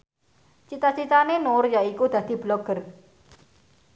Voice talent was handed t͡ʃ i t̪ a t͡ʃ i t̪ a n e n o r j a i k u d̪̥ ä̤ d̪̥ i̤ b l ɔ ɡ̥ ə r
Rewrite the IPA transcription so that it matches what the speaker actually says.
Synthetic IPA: t͡ʃ i t̪ a t͡ʃ i t̪ a n e n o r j a i k u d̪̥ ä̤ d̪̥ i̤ b l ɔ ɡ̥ ə r